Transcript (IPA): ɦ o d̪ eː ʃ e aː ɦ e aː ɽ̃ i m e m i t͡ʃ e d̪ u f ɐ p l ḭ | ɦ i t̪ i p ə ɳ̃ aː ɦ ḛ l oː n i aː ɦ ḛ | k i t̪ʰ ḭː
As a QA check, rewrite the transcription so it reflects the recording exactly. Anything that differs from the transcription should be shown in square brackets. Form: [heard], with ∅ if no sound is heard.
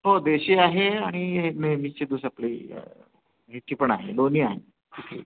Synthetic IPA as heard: ɦ o d̪ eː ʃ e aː ɦ e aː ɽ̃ i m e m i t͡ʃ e d̪ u [s] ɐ p l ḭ | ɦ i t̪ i p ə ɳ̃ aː ɦ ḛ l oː n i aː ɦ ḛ | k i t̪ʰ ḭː